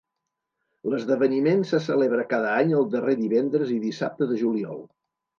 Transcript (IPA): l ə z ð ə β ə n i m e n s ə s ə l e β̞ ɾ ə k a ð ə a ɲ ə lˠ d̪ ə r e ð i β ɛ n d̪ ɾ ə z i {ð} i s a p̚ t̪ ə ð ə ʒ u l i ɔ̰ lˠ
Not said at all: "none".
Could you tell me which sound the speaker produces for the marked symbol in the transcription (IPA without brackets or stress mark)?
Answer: ð